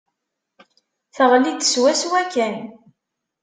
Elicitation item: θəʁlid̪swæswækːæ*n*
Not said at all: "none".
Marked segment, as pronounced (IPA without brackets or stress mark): n